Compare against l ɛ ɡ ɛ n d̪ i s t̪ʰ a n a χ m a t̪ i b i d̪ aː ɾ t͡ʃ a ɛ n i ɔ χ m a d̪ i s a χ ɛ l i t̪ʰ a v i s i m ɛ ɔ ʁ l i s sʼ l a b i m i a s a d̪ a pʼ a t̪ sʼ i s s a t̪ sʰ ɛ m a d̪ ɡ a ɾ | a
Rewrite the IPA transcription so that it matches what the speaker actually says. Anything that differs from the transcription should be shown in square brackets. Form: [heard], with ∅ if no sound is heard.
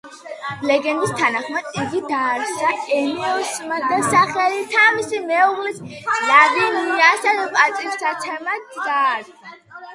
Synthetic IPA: l ɛ ɡ ɛ n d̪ i s t̪ʰ a n a χ m a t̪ i [ɡ] i d̪ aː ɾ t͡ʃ a ɛ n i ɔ [s] m a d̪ [a] s a χ ɛ l i t̪ʰ a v i s i m ɛ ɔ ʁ l i s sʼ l a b i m i a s a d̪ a pʼ a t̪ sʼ i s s a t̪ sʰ ɛ m a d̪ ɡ a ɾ | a